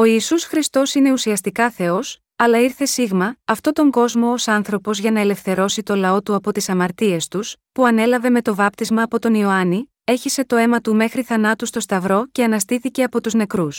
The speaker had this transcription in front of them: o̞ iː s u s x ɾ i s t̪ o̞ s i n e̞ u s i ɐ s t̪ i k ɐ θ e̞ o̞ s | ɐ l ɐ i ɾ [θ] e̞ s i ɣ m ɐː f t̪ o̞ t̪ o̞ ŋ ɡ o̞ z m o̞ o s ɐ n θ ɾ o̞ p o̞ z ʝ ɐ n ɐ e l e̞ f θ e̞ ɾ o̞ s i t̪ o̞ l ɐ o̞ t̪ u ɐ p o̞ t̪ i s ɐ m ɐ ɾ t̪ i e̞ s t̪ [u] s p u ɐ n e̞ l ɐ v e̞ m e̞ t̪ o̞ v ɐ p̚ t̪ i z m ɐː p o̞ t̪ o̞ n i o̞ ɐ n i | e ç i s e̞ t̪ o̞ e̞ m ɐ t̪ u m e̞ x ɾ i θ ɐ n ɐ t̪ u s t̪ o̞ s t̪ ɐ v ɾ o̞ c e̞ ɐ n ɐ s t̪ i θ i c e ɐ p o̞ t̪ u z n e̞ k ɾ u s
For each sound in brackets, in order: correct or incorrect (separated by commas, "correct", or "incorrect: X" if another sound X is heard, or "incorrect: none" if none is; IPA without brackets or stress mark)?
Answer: correct, correct